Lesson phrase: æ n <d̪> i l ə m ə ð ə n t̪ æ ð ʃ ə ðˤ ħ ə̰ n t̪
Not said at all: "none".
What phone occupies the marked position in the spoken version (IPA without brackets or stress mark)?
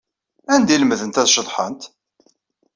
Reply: d̪